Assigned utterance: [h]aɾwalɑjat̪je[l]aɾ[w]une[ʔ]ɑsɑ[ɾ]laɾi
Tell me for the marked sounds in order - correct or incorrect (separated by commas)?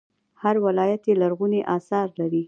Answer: correct, correct, incorrect, correct, correct